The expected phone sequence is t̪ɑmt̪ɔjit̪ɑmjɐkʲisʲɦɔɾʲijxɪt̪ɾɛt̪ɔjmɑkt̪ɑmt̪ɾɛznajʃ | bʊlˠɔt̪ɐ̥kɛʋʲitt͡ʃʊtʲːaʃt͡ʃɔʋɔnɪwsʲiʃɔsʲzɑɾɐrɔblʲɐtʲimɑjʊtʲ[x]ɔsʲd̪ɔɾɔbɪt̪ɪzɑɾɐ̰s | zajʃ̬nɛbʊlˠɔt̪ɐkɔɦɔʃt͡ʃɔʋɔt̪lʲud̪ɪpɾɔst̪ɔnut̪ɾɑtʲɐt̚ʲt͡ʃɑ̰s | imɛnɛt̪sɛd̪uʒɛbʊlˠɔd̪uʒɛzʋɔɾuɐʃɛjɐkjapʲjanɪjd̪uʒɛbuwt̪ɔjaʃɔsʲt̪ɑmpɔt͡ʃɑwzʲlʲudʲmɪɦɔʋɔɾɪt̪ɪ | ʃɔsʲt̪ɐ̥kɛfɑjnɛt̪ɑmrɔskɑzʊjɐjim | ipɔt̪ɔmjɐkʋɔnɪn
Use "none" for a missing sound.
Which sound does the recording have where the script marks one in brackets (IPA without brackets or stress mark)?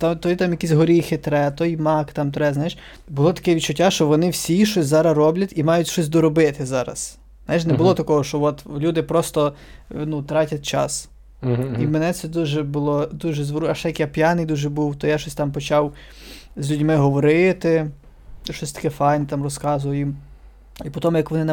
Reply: ʃ